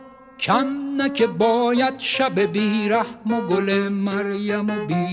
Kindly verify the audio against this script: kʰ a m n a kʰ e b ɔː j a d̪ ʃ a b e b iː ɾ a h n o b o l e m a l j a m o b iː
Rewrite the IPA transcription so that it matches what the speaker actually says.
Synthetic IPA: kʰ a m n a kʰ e b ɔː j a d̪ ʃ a b e b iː ɾ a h m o ɡ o l e m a ɾ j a m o b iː